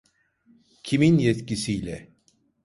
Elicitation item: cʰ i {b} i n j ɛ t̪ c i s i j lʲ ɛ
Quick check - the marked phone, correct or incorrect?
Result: incorrect